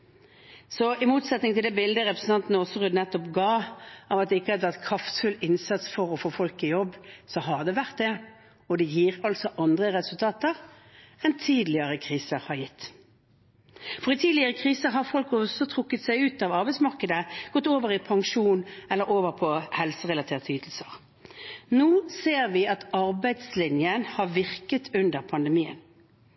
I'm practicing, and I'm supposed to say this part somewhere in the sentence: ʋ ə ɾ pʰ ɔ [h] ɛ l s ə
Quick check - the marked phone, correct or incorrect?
correct